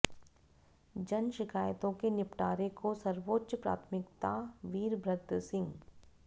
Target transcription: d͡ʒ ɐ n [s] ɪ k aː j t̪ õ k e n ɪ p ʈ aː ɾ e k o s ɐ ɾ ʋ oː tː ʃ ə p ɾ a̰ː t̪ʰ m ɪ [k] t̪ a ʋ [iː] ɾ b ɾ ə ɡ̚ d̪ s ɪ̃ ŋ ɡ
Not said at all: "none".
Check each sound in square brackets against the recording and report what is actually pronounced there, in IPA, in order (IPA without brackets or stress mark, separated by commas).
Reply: ʃ, k, iː